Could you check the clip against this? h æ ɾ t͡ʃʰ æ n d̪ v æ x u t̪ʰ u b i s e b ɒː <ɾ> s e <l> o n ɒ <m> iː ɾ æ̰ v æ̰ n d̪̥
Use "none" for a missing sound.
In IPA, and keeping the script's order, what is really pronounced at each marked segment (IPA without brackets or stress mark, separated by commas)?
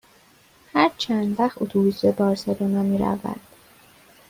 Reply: ɾ, l, m